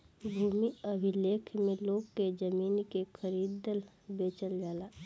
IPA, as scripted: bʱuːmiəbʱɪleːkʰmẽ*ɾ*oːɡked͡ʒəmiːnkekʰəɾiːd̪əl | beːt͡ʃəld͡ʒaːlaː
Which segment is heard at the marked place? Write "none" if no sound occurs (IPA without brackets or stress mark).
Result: l